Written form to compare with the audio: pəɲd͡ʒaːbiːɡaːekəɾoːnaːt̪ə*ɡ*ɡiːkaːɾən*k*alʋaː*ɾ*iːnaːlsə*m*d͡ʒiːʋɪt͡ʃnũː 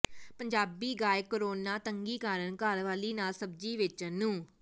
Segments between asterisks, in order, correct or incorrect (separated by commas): incorrect, correct, incorrect, incorrect